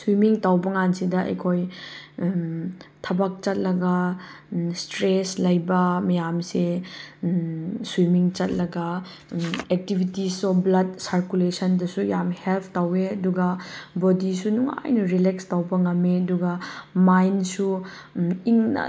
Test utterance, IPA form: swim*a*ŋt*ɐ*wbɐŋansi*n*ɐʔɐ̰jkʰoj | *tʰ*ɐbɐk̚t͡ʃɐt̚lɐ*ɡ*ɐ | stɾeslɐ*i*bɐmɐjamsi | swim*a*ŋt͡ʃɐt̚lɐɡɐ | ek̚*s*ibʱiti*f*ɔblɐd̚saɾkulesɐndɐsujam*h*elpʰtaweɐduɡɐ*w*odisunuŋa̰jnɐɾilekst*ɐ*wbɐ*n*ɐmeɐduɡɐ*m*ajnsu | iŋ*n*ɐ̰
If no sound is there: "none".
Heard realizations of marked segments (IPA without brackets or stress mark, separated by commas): i, a, d, tʰ, ɡ, j, i, t, s, h, b, a, ŋ, m, n